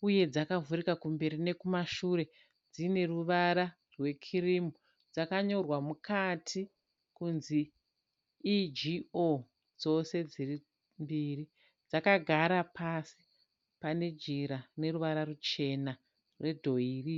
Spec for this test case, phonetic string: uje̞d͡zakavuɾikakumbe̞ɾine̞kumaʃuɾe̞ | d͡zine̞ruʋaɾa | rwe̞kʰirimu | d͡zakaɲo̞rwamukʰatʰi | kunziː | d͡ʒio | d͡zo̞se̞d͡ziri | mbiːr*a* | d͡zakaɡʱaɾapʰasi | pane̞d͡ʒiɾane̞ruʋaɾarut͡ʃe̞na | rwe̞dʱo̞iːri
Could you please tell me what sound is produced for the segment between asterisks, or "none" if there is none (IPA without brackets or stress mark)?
i